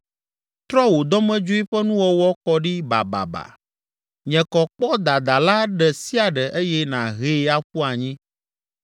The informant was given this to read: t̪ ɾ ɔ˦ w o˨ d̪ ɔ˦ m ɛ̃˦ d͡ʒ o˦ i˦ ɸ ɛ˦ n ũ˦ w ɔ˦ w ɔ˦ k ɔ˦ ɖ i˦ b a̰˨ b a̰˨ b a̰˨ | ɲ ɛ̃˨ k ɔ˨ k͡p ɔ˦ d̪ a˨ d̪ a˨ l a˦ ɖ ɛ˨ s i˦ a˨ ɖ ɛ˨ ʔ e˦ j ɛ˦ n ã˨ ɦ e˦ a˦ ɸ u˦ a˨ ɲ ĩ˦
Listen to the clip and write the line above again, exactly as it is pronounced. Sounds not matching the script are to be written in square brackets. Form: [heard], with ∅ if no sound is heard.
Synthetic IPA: t̪ ɾ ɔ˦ w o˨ d̪ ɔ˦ m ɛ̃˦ d͡ʒ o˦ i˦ ɸ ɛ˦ n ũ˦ w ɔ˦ w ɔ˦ k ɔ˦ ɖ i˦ b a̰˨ b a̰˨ b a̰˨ | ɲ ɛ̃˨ k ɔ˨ k͡p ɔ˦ d̪ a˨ d̪ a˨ l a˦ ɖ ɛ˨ s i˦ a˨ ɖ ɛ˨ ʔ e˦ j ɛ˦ n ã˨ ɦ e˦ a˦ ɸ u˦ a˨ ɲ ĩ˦